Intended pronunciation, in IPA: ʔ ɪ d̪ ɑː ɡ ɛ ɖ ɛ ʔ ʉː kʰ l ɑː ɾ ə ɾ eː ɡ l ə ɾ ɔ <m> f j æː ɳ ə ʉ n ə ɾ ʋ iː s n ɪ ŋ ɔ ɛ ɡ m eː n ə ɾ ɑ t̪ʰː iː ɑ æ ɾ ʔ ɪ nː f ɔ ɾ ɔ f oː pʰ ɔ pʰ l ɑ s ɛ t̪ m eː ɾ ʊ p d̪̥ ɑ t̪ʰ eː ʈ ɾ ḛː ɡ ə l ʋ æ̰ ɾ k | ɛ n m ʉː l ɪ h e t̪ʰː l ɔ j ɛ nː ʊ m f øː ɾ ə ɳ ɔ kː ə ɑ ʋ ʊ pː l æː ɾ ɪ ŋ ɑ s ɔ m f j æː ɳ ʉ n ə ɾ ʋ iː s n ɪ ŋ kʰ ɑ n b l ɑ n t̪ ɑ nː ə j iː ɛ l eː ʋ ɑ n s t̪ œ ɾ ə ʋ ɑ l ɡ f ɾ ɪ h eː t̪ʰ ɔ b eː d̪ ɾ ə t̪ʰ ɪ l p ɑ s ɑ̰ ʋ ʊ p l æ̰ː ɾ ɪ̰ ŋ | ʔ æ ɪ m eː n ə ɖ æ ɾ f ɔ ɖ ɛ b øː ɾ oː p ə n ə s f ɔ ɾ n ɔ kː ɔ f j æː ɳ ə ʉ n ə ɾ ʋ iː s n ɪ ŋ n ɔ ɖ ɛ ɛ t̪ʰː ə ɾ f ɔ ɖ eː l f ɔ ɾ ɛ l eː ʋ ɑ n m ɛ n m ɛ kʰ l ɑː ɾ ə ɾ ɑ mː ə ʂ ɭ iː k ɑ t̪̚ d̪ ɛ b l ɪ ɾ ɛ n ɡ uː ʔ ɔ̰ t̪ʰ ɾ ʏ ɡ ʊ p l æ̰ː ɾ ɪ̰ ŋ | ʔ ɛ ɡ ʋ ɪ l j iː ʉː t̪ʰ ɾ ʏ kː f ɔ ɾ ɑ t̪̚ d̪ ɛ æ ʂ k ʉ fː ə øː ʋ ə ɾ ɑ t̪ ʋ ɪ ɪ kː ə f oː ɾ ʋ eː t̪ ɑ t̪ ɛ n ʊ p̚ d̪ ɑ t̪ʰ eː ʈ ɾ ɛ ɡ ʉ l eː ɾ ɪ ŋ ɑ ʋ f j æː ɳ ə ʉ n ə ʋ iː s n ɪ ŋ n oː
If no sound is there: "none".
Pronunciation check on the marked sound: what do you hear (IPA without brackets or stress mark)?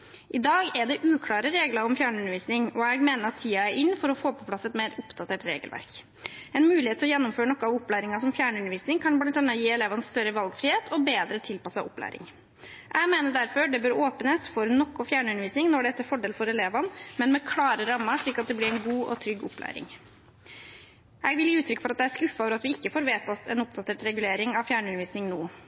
m